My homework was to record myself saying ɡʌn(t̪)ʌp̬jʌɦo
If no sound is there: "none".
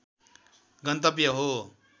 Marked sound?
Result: t̪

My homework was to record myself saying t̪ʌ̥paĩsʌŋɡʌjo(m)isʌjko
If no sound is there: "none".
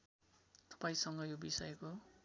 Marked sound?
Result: b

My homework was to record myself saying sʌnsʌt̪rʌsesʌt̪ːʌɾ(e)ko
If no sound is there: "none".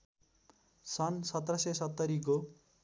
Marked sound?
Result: i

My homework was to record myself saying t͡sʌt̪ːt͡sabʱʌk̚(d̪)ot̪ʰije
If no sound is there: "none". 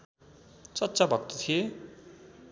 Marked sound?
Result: t̪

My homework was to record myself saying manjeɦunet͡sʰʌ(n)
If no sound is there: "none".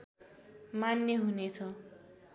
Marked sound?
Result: none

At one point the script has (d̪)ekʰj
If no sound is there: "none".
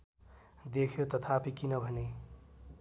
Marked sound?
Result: d̪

